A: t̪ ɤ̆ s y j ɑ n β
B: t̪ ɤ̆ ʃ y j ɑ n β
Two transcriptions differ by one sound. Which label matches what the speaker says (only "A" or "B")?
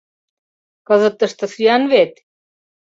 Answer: A